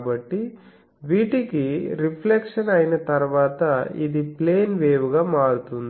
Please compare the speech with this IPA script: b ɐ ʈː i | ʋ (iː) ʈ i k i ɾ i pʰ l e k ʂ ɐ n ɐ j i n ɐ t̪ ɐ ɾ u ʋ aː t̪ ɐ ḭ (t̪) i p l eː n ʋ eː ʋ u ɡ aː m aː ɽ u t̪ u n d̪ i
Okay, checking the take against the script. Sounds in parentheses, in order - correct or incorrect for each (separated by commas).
correct, incorrect